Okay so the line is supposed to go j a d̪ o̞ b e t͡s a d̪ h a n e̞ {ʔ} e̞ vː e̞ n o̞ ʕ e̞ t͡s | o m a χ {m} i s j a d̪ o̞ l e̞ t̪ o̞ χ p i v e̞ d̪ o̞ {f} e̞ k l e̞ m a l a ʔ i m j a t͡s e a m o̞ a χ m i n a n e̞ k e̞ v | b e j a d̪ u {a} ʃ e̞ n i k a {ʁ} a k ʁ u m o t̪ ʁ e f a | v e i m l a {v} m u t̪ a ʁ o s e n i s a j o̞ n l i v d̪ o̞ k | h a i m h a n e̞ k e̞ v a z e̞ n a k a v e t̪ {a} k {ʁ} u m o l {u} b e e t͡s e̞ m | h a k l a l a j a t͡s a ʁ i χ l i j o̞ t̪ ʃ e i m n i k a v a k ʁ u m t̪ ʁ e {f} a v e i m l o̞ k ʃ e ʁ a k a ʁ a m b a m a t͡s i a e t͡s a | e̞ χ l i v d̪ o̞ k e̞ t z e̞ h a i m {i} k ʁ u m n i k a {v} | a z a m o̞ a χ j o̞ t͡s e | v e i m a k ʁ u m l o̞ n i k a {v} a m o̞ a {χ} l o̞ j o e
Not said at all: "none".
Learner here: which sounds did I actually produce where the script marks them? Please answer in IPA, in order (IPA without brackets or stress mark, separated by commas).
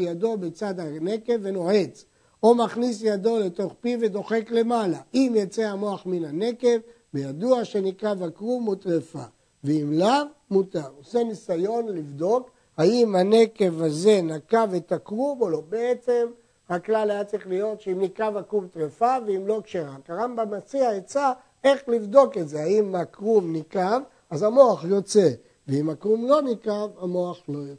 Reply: k, n, χ, a, v, v, a, ʁ, o, f, a, v, v, χ